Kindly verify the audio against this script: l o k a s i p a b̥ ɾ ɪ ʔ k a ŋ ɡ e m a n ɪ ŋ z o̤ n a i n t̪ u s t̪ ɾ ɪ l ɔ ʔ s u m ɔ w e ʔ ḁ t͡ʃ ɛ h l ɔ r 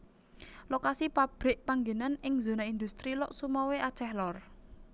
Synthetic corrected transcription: l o k a s i p a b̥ ɾ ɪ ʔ p a ŋ ɡ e n a n ɪ ŋ z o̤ n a i n d̪ u s t̪ ɾ i l ɔ ʔ s u m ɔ w e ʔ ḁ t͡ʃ ɛ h l ɔ r